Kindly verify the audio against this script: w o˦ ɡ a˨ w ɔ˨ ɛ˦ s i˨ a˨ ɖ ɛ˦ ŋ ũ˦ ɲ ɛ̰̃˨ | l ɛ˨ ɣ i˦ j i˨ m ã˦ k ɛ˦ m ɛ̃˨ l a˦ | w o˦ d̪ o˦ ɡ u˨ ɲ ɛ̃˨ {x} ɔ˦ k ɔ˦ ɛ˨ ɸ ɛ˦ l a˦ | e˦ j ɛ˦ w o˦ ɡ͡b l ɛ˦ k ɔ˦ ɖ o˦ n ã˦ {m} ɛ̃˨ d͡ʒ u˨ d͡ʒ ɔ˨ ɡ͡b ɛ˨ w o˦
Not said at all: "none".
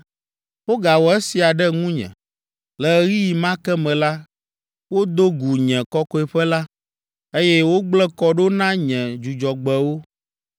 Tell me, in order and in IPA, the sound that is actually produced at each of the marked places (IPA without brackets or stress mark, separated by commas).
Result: k, ɲ